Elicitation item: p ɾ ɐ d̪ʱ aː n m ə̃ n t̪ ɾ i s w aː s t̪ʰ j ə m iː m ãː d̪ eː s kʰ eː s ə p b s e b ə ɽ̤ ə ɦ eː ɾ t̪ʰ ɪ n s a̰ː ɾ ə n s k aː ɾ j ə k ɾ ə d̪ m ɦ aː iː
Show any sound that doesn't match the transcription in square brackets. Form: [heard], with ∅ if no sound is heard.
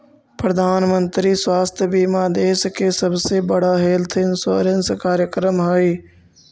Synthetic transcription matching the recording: p ɾ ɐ d̪ʱ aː n m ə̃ n t̪ ɾ i s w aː s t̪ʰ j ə [b] iː m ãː d̪ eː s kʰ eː s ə [∅] b s e b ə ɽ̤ [a] ɦ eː [l] t̪ʰ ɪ n s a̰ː ɾ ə n s k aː ɾ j ə k ɾ ə [∅] m ɦ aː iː